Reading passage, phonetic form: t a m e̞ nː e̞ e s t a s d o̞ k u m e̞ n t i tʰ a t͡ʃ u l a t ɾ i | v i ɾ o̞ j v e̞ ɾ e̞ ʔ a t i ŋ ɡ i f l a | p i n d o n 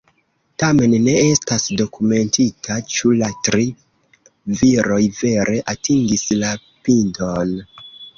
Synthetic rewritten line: t a m e̞ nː e̞ e s t a s d o̞ k u m e̞ n t i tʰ a t͡ʃ u l a t ɾ i | v i ɾ o̞ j v e̞ ɾ e̞ ʔ a t i ŋ ɡ i s l a | p i n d o n